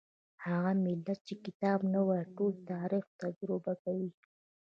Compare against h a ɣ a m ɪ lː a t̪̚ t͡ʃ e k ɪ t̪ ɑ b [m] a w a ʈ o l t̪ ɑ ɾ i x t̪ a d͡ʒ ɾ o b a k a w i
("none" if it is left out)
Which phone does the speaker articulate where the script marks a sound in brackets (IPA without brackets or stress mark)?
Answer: n